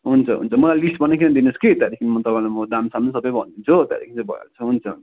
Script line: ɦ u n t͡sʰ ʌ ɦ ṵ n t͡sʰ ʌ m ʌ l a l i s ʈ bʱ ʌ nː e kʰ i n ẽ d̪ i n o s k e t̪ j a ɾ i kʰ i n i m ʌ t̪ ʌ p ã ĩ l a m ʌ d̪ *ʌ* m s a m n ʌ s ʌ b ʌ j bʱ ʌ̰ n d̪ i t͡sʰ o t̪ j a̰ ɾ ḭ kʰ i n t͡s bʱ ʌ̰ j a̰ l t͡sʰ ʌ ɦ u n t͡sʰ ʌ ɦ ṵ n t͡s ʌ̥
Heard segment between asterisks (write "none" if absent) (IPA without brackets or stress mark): a